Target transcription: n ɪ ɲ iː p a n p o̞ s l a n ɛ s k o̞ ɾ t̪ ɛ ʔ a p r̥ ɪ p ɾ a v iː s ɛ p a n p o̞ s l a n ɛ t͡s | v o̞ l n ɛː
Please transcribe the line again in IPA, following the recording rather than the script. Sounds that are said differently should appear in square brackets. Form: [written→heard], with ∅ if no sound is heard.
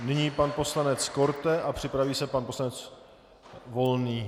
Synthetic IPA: n ɪ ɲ iː p a n p o̞ s l a n ɛ [s→t͡s] k o̞ ɾ t̪ ɛ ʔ a p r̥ ɪ p ɾ a v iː s ɛ p a n p o̞ s l a n ɛ t͡s | v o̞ l n [ɛː→iː]